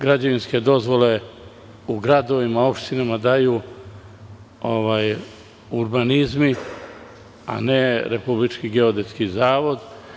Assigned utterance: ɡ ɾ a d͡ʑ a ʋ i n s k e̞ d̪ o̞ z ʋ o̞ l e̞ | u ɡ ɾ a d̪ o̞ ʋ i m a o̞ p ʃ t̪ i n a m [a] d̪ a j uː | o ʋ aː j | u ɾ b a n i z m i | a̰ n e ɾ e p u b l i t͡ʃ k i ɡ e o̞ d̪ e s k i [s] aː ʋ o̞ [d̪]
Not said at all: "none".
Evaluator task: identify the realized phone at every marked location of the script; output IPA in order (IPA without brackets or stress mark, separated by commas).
a, z, d̪